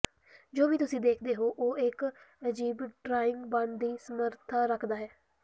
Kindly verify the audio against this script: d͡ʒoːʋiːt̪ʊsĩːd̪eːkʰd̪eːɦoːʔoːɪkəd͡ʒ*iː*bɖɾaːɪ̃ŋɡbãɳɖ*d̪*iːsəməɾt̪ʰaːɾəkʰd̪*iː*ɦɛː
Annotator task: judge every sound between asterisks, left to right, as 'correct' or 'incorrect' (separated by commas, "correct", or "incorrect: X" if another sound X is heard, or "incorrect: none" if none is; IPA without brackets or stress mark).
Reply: correct, correct, incorrect: aː